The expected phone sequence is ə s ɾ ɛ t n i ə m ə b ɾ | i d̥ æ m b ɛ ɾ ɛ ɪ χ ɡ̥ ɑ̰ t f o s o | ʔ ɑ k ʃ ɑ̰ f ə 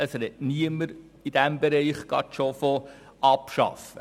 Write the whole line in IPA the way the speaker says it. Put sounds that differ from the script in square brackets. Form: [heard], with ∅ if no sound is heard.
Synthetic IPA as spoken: ə s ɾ ɛ t n i ə m ə [∅] ɾ | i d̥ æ m b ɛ ɾ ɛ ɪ χ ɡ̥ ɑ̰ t [ʃ] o [f] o | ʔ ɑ [p] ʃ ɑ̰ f ə